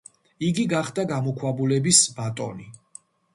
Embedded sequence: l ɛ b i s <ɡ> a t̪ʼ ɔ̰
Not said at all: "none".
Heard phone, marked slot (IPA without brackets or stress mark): b